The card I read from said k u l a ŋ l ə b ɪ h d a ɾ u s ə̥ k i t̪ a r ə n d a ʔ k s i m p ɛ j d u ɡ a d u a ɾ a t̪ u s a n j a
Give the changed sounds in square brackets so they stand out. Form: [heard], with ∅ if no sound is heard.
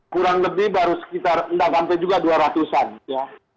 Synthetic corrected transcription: k u [ɾ] a ŋ l ə b ɪ h [b] a ɾ u s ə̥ k i t̪ a r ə n d a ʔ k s [a] m p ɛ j [d͡ʒ] u ɡ a d u a ɾ a t̪ u s a n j a